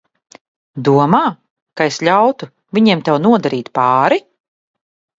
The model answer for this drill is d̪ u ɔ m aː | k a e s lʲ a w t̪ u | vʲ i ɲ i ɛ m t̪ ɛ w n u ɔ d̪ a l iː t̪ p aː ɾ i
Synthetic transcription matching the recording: d̪ u ɔ m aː | k a e s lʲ a w t̪ u | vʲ i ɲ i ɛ m t̪ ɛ w n u ɔ d̪ a ɾ iː t̪ p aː ɾ i